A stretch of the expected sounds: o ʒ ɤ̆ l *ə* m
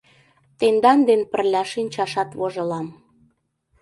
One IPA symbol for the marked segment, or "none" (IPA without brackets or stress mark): ɑ